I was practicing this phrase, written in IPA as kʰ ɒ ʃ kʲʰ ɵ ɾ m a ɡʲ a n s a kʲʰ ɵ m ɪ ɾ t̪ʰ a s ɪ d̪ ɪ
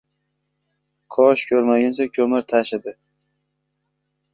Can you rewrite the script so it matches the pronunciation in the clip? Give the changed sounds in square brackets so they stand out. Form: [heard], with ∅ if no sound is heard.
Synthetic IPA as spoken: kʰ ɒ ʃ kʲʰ ɵ ɾ m a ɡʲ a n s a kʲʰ ɵ m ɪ ɾ t̪ʰ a [ʃ] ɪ d̪ ɪ